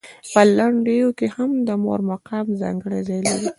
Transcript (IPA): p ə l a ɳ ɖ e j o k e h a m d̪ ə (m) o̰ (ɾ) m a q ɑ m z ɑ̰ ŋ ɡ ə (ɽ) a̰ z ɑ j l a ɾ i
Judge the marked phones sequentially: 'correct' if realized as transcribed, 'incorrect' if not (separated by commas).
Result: correct, correct, correct